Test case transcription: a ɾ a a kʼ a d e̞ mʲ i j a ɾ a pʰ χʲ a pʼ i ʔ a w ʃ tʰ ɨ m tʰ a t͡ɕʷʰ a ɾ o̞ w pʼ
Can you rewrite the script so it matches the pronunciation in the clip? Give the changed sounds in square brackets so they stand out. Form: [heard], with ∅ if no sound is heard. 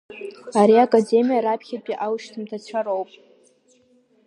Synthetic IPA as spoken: a ɾ [i] a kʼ a d e̞ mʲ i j a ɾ a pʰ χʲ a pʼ i ʔ a w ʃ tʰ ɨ m tʰ a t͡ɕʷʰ a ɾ o̞ w pʼ